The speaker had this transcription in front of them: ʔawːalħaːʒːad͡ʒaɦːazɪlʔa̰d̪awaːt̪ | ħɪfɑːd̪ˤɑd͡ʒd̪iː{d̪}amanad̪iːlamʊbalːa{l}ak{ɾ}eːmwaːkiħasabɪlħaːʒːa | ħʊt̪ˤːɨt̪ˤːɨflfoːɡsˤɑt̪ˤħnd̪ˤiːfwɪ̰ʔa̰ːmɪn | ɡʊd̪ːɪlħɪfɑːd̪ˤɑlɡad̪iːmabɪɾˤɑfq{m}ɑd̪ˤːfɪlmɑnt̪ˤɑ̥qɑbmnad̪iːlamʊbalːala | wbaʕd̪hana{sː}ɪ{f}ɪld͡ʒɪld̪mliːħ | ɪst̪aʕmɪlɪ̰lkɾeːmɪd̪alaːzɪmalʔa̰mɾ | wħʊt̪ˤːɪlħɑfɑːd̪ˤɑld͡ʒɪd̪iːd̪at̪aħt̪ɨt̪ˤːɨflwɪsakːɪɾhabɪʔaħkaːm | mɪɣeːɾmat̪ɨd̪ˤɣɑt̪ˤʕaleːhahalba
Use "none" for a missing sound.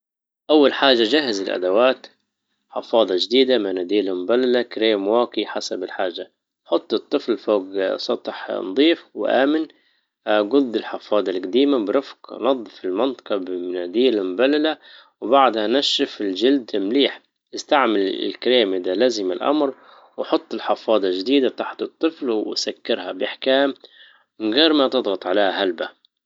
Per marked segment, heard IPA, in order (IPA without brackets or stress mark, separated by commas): d̪, l, ɾ, n, ʃː, f